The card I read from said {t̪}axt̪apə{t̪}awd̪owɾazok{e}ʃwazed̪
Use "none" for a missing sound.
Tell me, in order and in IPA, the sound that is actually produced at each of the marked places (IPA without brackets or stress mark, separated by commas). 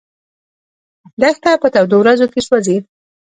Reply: d̪, t̪, e